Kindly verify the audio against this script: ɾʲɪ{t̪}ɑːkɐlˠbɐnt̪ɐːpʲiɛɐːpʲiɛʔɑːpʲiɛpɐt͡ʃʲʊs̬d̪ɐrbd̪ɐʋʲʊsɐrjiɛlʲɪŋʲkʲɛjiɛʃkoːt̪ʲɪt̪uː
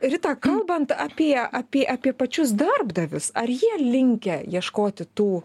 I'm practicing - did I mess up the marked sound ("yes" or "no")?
no